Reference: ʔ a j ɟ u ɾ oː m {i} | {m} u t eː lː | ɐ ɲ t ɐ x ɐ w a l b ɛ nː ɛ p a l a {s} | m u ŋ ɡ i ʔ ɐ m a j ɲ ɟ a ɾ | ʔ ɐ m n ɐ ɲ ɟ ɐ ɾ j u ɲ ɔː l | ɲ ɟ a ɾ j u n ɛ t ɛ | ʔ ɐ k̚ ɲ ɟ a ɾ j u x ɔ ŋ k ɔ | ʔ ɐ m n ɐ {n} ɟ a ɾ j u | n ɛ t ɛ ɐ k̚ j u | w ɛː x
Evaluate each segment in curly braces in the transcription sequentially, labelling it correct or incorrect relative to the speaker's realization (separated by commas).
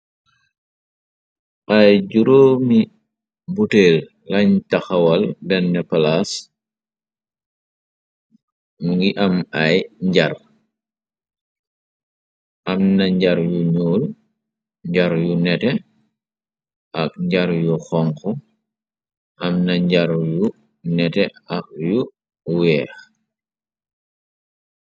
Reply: correct, incorrect, correct, incorrect